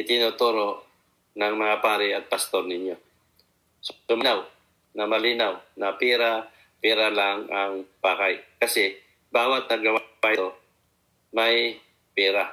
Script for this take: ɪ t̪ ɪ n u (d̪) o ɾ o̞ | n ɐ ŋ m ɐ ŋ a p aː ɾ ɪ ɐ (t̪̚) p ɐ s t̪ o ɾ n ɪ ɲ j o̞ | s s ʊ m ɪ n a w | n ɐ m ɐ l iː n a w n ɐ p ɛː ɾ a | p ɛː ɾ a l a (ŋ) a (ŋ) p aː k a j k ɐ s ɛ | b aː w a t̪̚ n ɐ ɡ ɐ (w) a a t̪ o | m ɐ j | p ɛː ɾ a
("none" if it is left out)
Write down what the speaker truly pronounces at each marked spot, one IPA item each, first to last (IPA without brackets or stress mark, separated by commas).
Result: t̪, t̪̚, ŋ, ŋ, w